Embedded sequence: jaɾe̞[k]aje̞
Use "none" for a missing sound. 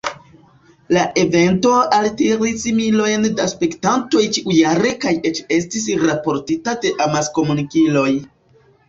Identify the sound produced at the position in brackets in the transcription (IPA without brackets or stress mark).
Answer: k